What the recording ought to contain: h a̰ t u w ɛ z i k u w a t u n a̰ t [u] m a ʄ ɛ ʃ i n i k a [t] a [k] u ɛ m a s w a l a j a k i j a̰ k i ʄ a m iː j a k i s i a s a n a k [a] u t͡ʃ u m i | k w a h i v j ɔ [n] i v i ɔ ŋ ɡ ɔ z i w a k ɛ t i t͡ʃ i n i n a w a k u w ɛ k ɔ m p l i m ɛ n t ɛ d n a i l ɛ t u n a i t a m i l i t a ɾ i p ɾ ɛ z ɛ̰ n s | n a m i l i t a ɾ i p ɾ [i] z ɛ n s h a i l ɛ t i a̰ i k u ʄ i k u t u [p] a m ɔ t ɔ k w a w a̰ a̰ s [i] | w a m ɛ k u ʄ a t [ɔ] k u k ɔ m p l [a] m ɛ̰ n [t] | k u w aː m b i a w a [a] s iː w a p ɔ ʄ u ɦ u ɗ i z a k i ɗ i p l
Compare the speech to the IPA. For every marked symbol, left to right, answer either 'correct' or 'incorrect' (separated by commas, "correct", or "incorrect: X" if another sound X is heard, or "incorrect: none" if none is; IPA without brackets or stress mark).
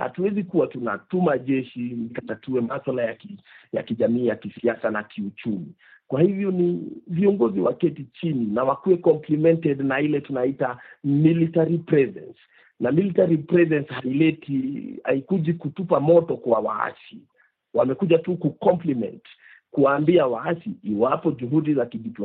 correct, correct, incorrect: t, incorrect: i, correct, incorrect: ɛ, correct, correct, incorrect: u, incorrect: i, correct, correct